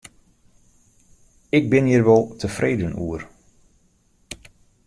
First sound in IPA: ɪ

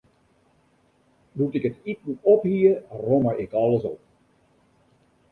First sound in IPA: d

